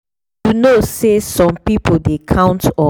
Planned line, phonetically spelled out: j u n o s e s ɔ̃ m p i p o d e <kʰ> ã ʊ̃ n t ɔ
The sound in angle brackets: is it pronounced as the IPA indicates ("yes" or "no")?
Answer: yes